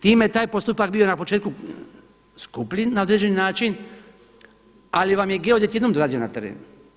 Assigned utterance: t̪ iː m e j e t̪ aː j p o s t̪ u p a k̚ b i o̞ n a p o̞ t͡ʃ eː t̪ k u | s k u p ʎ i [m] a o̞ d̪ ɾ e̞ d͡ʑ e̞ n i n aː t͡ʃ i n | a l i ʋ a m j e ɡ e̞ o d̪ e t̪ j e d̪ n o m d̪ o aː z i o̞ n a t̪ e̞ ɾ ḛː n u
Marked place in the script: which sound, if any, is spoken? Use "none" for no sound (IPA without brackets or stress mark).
n